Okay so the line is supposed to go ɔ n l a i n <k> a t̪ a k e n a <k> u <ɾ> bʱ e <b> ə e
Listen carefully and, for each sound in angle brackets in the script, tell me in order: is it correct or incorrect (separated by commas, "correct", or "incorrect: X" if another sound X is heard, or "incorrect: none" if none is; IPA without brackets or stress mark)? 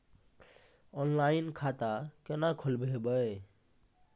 incorrect: kʰ, incorrect: kʰ, incorrect: l, correct